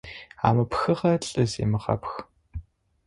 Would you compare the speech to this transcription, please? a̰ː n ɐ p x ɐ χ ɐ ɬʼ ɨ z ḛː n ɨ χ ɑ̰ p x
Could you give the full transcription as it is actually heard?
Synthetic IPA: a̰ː m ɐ p x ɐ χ ɐ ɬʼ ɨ z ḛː m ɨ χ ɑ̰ p x

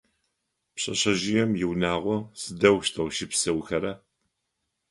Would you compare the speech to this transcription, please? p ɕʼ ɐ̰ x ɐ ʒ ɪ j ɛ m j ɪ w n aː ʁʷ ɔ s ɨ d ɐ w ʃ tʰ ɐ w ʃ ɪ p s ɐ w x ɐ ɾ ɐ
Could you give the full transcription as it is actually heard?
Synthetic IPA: p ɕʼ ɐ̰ ɕ ɐ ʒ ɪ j ɛ m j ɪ w n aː ʁʷ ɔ s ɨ d ɐ w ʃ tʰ ɐ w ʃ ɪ p s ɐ w x ɐ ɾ ɐ

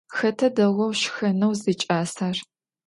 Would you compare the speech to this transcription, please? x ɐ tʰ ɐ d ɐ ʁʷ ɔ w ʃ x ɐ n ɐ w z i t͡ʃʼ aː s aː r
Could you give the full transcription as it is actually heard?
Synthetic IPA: x ɐ tʰ ɐ d ɐ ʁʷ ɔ w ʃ x ɐ n ɐ w z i t͡ʃʼ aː s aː r

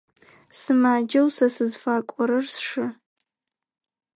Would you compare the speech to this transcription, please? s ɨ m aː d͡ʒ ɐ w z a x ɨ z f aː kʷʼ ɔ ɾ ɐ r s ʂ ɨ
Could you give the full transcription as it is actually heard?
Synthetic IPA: s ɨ m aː d͡ʒ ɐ w s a s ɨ z f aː kʷʼ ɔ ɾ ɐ r s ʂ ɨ

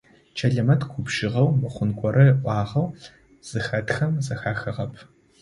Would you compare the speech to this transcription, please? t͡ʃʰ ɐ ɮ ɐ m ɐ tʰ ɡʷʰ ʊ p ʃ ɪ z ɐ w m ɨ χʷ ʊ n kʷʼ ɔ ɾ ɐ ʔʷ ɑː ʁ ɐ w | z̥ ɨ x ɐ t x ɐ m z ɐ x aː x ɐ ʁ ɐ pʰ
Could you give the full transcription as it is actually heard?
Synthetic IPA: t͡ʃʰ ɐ ɮ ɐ m ɐ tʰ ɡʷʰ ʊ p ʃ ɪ ʁ ɐ w m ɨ χʷ ʊ n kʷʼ ɔ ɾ ɐ ʔʷ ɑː ʁ ɐ w | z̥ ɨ x ɐ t x ɐ m z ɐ x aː x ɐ ʁ ɐ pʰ

